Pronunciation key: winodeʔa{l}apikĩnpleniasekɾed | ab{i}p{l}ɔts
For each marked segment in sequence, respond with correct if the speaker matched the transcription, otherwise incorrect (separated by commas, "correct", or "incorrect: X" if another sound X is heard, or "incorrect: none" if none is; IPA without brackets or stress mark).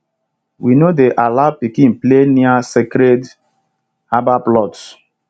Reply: correct, incorrect: a, correct